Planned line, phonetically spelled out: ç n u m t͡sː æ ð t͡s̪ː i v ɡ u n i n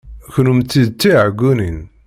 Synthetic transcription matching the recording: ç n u m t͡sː i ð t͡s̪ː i ʕ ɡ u n i n

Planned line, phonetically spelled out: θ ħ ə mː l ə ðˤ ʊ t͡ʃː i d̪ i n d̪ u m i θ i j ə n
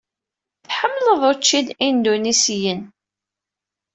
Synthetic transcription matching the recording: θ ħ ə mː l ə ðˤ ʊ t͡ʃː i d̪ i n d̪ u n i s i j ə n

